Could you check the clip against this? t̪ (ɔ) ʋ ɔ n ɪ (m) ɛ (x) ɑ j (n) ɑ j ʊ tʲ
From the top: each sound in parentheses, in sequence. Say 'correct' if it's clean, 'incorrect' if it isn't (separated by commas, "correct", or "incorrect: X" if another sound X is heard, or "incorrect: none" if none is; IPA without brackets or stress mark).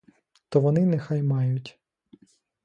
correct, incorrect: n, correct, incorrect: m